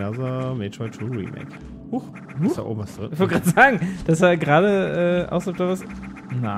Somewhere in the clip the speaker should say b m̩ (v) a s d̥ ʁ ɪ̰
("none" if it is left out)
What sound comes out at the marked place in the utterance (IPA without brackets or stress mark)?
v